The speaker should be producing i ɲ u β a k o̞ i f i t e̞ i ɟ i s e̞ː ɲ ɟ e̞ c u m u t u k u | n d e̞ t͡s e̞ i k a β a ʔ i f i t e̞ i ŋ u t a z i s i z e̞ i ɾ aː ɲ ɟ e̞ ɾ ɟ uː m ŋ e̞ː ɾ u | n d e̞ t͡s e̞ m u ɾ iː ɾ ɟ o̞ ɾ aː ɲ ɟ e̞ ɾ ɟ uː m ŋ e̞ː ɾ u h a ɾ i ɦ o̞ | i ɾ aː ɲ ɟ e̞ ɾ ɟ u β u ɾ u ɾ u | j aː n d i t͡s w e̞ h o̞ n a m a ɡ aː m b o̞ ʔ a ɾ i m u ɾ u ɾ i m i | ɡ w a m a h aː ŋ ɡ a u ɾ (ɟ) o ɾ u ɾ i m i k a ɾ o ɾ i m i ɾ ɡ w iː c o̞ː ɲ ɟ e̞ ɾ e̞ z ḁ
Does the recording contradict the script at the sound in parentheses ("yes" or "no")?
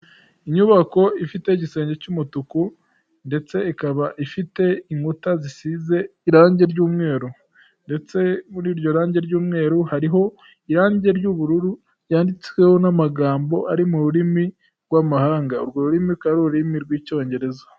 yes